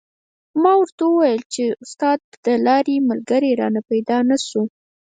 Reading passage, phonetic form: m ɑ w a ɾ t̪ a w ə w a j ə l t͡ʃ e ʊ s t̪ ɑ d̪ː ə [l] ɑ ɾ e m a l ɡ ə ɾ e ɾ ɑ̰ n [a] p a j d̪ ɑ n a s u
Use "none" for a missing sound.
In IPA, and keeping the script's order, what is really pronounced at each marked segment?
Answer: l, a

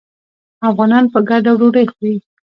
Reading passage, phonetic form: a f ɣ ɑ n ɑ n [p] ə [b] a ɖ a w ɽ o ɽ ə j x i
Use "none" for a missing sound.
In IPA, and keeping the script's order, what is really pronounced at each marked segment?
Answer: p, ɡ

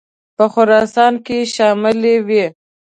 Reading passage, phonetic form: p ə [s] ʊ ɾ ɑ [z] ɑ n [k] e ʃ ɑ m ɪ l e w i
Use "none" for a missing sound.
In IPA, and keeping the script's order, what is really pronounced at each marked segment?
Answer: x, s, k

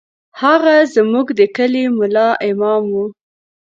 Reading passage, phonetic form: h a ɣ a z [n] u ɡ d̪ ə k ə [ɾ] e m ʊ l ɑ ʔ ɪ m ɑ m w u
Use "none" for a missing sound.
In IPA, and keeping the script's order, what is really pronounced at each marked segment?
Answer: m, l

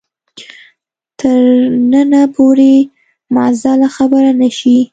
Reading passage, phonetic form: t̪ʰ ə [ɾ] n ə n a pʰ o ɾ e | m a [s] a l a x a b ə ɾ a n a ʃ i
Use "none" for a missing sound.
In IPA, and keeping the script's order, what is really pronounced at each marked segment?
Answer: ɾ, z

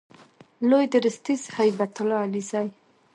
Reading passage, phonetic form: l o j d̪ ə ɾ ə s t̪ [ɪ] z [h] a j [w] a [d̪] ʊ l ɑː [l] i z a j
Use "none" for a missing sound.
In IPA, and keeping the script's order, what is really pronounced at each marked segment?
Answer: i, h, b, t̪, l

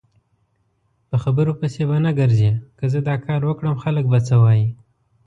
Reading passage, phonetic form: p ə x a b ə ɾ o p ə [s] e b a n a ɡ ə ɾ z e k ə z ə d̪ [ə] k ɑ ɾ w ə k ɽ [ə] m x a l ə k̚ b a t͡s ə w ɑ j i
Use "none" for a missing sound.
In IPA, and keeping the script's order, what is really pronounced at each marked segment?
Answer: s, ɑ, ə

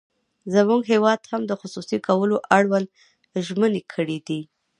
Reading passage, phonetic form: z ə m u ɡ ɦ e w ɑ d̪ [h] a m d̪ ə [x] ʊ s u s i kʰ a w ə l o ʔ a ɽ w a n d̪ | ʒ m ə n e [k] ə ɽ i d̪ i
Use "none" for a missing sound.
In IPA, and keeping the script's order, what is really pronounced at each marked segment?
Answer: h, x, kʰ

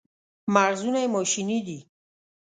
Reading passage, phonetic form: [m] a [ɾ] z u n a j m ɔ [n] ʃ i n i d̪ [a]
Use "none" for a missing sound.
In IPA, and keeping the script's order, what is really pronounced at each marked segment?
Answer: m, ɾ, none, i

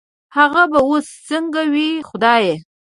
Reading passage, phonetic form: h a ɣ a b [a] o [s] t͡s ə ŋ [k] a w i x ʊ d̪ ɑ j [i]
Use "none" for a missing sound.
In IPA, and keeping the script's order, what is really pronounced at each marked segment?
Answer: a, s, ɡ, e

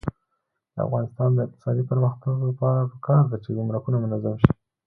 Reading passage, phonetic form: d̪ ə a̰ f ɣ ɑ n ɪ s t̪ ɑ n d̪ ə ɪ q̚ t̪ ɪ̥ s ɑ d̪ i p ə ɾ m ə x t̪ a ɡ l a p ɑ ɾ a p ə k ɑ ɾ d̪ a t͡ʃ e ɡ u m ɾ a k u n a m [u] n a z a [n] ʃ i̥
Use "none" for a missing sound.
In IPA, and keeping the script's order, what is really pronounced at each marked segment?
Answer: ʊ, m

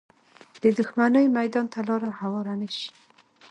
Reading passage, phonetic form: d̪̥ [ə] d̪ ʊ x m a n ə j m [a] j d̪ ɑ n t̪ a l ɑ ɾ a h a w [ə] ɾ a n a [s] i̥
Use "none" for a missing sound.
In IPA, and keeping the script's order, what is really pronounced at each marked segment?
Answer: ə, a, ɑ, ʃ

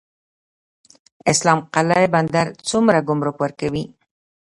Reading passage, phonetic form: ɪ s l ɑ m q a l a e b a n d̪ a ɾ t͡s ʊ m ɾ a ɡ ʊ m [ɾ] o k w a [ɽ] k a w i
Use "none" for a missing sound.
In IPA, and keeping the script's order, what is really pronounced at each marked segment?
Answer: ɾ, ɾ

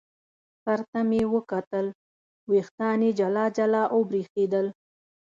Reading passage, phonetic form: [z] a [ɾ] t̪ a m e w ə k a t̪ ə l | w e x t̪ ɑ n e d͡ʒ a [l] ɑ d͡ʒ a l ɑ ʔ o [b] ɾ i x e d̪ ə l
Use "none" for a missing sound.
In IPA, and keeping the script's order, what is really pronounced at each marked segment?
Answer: s, ɾ, l, b

